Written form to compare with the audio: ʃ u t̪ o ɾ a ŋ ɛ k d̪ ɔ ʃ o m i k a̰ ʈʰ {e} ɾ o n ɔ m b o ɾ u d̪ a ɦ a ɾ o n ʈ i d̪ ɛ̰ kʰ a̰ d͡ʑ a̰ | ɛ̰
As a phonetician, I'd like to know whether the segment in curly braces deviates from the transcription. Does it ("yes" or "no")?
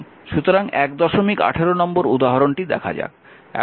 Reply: no